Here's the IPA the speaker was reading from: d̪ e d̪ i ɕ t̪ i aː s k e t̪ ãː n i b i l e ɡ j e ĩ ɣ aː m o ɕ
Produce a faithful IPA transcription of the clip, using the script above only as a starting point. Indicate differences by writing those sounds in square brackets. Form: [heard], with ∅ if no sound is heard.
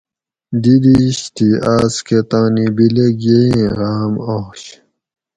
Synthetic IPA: d̪ [i] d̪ i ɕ t̪ i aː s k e t̪ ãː n i b i l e ɡ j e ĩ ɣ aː m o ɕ